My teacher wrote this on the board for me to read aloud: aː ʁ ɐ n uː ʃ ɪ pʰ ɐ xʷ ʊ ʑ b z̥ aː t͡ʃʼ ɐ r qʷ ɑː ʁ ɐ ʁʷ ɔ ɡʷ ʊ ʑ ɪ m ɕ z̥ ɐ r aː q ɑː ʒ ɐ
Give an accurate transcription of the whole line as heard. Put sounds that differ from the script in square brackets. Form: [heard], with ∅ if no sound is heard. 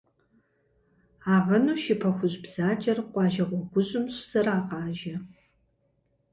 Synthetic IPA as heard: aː ʁ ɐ n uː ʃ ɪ pʰ ɐ xʷ ʊ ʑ b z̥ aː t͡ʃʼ ɐ r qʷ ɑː [ʒ] ɐ ʁʷ ɔ ɡʷ ʊ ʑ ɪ m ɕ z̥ ɐ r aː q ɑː ʒ ɐ